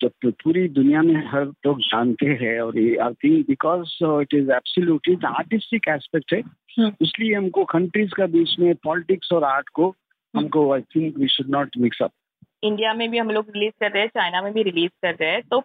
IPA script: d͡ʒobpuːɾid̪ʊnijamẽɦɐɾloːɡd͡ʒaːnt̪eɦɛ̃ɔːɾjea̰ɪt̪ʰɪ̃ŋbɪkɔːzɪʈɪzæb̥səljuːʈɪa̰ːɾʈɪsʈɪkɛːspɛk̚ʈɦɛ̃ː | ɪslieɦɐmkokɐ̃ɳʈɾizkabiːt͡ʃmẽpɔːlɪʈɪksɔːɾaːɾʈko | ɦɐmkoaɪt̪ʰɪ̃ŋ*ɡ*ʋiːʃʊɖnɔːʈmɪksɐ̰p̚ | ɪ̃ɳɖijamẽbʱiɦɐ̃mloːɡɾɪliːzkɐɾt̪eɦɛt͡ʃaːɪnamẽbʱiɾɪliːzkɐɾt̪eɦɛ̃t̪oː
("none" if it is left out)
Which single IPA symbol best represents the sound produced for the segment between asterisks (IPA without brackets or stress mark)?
k